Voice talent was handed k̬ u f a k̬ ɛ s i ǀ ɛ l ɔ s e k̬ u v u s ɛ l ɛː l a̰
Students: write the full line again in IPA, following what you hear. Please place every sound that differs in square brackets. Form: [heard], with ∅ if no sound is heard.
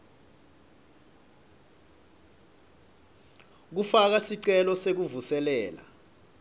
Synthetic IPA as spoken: k̬ u f a k̬ [a] s i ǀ ɛ l ɔ s e k̬ u v u s ɛ l ɛː l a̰